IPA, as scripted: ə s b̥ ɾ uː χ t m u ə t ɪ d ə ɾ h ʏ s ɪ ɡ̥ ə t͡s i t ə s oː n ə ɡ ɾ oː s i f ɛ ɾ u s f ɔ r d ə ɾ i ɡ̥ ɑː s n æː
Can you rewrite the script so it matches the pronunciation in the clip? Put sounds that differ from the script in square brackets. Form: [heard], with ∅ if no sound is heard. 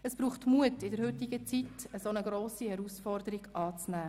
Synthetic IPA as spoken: ə s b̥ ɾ uː χ t m u ə t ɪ d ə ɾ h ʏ [t] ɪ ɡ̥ ə t͡s i t ə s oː n ə ɡ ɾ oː s i [h] ɛ ɾ u s f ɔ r d ə ɾ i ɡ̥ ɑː [t͡s] n æː